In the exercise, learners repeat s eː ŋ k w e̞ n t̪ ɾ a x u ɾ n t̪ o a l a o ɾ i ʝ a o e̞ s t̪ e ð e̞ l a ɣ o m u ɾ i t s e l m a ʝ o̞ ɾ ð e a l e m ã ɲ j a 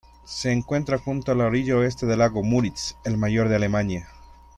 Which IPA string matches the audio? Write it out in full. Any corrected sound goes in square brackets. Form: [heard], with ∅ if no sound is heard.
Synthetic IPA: s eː ŋ k w e̞ n t̪ ɾ a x u [∅] n t̪ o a l a o ɾ i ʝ a o e̞ s t̪ e ð e̞ l a ɣ o m u ɾ i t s e l m a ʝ o̞ ɾ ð e a l e m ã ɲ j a